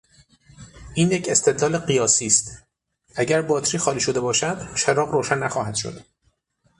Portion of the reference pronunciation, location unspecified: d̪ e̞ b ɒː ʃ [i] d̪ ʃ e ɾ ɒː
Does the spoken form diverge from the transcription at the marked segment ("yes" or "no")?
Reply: yes